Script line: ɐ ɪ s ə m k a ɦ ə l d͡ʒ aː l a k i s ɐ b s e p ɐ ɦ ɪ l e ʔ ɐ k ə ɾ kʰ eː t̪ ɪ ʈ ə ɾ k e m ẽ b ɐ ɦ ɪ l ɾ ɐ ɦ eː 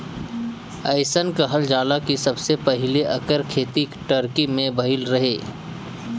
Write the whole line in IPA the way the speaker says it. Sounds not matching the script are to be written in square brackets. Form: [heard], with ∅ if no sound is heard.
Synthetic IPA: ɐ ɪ s ə [n] k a ɦ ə l d͡ʒ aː l a k i s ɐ b s e p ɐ ɦ ɪ l e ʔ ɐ k ə ɾ kʰ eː t̪ [i] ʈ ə ɾ k [i] m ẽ b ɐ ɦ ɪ l ɾ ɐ ɦ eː